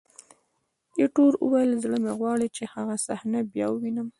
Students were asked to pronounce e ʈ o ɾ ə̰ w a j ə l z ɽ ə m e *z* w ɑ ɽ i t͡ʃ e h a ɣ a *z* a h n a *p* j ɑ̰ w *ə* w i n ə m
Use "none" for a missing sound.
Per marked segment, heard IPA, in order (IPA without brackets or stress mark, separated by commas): ɣ, s, b, ə